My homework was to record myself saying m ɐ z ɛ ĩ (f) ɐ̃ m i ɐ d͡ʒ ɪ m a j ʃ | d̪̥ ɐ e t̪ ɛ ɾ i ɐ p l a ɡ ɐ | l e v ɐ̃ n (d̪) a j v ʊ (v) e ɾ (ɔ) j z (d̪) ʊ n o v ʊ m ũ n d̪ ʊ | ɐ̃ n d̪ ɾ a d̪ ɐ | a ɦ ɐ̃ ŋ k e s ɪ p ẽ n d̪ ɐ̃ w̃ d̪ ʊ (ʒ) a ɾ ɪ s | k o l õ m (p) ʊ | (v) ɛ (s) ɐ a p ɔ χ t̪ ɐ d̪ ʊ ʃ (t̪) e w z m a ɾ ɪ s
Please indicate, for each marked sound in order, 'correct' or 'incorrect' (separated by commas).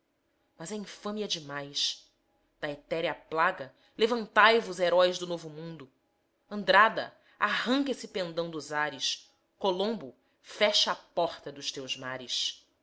correct, incorrect, incorrect, correct, correct, incorrect, incorrect, incorrect, incorrect, correct